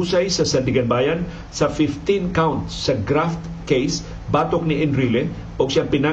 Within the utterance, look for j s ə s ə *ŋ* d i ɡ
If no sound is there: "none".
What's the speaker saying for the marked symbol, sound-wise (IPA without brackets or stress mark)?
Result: n